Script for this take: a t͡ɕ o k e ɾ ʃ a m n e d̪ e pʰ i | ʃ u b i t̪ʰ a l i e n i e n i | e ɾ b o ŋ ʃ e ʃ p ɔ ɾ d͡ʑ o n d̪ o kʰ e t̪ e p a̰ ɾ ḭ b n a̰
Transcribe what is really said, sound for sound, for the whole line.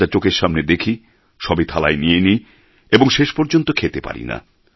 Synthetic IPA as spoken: a t͡ɕ o k e ɾ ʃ a m n e d̪ e kʰ i | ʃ ɔ b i t̪ʰ a l a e n i e n i | e b o ŋ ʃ e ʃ p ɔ ɾ d͡ʑ o n t̪ o kʰ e t̪ e p a̰ ɾ ḭ n a̰